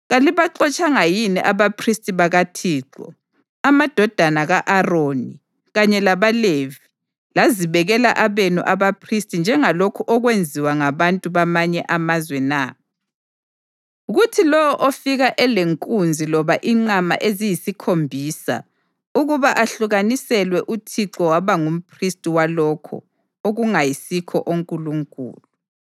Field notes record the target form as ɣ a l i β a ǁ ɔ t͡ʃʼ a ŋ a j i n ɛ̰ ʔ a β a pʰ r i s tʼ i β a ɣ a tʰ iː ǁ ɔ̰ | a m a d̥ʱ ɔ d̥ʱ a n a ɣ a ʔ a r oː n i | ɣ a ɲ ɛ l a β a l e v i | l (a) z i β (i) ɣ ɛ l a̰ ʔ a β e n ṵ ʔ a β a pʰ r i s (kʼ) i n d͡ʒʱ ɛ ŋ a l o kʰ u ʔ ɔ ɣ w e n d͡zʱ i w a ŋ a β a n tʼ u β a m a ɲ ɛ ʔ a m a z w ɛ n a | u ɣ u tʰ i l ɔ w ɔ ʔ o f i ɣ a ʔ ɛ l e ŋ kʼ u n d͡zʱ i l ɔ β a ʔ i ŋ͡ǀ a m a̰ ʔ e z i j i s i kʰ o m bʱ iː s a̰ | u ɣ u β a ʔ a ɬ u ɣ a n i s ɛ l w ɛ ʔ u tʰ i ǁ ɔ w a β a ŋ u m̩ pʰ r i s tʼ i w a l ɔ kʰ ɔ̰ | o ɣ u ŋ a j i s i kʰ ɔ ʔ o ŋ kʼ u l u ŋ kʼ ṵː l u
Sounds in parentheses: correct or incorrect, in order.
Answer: correct, incorrect, incorrect

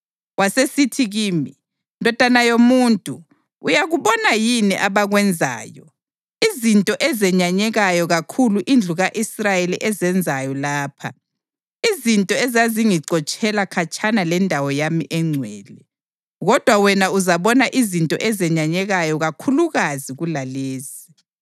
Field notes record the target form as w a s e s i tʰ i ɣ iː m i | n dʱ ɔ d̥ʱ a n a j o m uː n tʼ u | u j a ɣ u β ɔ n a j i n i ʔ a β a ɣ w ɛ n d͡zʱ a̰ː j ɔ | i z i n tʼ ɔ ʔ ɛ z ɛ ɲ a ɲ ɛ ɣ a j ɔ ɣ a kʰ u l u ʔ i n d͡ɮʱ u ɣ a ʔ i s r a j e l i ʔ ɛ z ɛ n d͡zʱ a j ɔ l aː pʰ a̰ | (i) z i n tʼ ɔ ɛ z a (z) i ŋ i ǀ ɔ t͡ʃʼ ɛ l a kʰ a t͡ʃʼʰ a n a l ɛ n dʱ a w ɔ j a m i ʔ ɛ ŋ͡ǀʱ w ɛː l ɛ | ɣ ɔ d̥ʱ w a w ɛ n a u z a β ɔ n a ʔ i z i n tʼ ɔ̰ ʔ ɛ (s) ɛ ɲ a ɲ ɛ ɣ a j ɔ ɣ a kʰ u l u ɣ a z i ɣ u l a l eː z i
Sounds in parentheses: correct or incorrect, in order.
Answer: correct, correct, incorrect

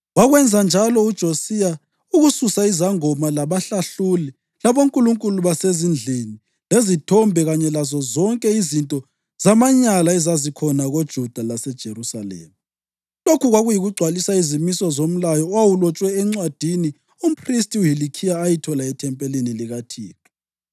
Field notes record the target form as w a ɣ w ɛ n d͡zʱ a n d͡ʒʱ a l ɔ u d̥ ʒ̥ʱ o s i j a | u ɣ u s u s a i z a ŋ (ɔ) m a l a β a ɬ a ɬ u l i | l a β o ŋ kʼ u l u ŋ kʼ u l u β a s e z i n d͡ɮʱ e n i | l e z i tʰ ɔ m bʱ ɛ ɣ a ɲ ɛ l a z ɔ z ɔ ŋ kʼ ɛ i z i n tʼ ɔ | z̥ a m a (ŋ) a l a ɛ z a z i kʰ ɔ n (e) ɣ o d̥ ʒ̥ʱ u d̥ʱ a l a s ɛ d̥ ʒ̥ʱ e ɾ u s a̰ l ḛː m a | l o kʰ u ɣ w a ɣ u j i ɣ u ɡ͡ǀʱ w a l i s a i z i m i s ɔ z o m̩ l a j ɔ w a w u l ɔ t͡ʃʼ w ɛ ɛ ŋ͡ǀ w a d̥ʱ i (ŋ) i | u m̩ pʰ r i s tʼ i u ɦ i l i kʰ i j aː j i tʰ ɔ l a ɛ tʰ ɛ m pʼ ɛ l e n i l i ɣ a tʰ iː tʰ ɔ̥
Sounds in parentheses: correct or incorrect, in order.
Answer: correct, incorrect, incorrect, incorrect

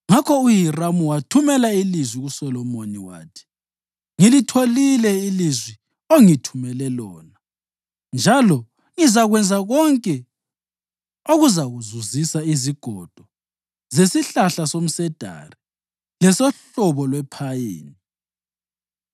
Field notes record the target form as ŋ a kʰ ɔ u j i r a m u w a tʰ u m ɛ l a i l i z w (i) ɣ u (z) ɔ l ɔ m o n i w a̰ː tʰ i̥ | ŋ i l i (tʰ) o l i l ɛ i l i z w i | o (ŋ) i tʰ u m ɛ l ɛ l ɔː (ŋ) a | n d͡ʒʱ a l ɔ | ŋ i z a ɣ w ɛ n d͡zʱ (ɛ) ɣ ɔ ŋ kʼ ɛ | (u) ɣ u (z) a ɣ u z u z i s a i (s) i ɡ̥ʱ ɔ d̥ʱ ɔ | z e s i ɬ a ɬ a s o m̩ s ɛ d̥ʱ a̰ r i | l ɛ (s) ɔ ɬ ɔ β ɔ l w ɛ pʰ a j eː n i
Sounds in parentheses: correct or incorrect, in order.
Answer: correct, incorrect, correct, correct, incorrect, incorrect, incorrect, correct, incorrect, correct

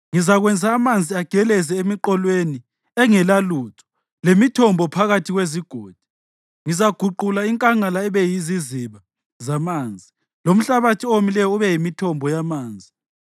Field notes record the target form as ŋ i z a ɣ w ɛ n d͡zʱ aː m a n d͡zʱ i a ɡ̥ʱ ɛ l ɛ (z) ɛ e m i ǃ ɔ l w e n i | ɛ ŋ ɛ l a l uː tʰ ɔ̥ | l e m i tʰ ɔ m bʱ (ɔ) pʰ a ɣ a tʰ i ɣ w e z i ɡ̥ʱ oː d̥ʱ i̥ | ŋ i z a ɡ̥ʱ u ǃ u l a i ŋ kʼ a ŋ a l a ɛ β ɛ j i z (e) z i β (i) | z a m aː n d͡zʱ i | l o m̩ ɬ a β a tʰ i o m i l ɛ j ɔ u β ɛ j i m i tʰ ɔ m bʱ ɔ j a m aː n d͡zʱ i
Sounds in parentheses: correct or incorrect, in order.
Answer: correct, correct, incorrect, incorrect

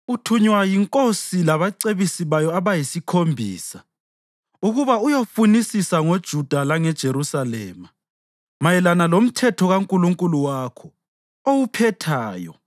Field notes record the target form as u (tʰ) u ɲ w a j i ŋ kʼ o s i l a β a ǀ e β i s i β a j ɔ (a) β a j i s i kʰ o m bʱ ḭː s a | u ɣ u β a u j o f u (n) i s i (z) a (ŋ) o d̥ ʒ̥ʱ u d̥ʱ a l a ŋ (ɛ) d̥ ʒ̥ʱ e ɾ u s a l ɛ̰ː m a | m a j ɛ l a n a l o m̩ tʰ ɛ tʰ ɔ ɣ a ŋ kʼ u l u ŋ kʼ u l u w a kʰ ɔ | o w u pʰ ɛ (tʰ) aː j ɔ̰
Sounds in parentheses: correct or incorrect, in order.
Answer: correct, correct, correct, incorrect, correct, correct, correct

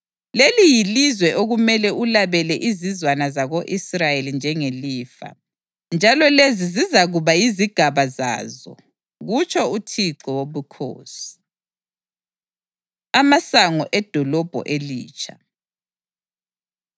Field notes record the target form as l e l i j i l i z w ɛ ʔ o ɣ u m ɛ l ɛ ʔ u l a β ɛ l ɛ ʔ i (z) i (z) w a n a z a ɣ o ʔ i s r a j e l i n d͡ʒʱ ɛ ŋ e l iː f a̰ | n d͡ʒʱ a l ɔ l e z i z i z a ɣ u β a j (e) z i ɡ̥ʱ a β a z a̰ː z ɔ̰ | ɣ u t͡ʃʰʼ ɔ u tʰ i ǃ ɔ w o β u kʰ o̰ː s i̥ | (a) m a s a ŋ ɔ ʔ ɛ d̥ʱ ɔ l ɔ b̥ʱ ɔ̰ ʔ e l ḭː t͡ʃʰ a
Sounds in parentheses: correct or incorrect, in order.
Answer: correct, correct, incorrect, correct

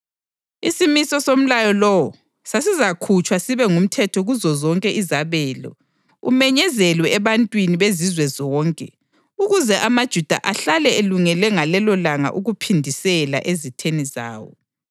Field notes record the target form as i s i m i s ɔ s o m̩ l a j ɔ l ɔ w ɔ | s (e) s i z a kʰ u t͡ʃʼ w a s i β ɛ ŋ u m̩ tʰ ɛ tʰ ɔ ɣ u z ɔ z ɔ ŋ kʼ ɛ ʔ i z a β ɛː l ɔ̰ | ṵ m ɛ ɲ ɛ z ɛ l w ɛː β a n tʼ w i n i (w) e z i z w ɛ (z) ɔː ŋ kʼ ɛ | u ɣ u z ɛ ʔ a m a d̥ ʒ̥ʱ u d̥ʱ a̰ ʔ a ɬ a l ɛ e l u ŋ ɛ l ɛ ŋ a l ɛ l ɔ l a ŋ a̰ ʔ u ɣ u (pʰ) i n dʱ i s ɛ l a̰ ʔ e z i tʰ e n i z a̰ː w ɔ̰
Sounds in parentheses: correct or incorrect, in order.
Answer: incorrect, incorrect, correct, correct

